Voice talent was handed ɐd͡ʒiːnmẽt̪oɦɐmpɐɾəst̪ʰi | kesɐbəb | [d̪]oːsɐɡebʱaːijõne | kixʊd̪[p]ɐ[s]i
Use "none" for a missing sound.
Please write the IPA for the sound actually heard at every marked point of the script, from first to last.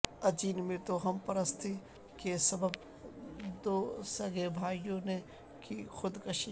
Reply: d̪, k, ʃ

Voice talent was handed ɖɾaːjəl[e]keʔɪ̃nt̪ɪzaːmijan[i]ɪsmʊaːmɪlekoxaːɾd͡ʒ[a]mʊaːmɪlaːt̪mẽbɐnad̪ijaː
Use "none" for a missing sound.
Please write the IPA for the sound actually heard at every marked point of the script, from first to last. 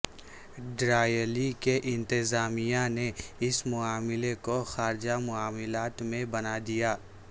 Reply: i, e, a

